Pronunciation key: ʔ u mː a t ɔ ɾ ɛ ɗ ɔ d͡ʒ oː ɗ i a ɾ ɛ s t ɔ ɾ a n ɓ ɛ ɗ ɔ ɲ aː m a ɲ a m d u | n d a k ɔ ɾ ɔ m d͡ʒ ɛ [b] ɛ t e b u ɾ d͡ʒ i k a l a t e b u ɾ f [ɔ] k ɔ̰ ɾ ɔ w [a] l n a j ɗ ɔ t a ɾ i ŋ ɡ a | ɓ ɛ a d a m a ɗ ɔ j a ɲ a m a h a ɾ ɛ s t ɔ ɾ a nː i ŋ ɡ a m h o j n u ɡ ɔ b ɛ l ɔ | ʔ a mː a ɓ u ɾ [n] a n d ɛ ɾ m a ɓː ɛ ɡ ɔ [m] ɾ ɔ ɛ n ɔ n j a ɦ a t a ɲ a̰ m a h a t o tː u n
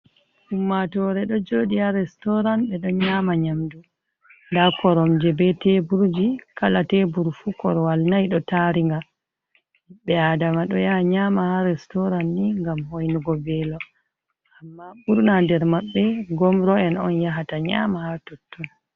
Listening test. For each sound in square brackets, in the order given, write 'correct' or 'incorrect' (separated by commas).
correct, incorrect, correct, correct, correct